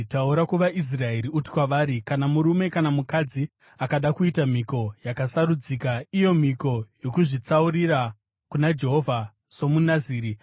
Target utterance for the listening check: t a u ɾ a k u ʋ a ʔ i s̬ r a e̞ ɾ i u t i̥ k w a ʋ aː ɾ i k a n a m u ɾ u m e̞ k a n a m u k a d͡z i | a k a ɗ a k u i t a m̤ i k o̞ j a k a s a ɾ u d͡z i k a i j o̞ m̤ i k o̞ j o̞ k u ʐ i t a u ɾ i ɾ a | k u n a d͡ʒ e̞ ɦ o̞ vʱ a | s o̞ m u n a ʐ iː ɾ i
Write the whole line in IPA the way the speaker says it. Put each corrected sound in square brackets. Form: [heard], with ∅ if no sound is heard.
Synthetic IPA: t a u ɾ a k u ʋ a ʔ i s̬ r a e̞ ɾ i u t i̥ k w a ʋ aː ɾ i k a n a m u ɾ u m e̞ k a n a m u k a d͡z i | a k a ɗ a k u i t a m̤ i k o̞ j a k a s a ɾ u d͡z i k a i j o̞ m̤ i k o̞ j o̞ k u ʐ i [t͡s] a u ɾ i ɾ a | k u n a d͡ʒ e̞ ɦ o̞ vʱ a | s o̞ m u n a [z] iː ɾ i

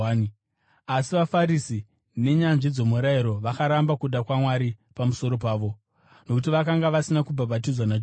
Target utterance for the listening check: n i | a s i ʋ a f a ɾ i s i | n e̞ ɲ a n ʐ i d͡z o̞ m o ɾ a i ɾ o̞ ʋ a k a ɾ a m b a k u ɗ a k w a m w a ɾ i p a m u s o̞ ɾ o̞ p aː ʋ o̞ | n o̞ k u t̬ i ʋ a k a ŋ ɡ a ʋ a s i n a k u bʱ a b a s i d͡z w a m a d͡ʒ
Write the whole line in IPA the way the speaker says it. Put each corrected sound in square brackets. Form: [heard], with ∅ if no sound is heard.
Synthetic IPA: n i | a s i ʋ a f a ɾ i s i | n e̞ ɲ a n ʐ i d͡z o̞ m [u] ɾ a i ɾ o̞ ʋ a k a ɾ a m b a k u ɗ a k w a m w a ɾ i p a m u s o̞ ɾ o̞ p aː ʋ o̞ | n o̞ k u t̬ i ʋ a k a ŋ ɡ a ʋ a s i n a k u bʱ a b a [t] i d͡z w a [n] a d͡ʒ

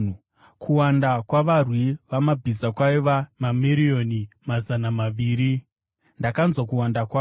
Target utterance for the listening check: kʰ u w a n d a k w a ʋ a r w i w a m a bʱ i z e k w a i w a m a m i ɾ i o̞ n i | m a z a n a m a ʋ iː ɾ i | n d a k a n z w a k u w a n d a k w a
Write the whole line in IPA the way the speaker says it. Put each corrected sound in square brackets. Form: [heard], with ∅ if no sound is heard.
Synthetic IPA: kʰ u w a n d a k w a ʋ a r w i [ʋ] a m a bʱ i z [a] k w a i [ʋ] a m a m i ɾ i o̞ n i | m a z a n a m a ʋ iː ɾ i | n d a k a n z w a k u w a n d a k w a

